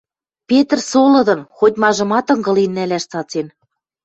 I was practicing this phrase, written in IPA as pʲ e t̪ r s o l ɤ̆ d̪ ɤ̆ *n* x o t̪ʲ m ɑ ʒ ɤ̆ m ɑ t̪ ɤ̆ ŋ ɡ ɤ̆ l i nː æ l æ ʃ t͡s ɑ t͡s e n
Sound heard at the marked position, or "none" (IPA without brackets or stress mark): n